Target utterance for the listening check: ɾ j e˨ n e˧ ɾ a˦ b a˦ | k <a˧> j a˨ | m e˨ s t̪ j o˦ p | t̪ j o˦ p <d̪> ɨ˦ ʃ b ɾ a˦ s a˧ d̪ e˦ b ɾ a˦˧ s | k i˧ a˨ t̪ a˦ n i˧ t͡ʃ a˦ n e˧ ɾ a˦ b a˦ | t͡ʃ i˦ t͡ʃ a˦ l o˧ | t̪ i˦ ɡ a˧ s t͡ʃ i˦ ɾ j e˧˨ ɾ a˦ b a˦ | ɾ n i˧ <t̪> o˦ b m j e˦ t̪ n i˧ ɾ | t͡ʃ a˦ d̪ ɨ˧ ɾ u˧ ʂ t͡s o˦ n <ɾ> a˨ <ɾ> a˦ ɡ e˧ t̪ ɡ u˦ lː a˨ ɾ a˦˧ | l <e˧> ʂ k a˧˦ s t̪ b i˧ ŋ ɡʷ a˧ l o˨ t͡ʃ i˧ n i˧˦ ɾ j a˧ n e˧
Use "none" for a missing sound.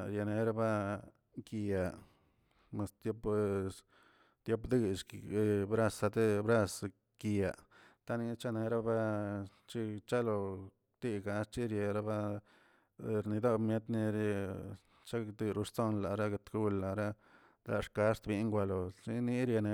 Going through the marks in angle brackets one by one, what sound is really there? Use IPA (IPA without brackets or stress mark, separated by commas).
i˧, d̪, d̪, l, ɾ, a˧